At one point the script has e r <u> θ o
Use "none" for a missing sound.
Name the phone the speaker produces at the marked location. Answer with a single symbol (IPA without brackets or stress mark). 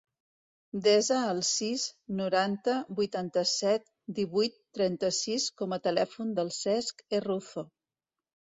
u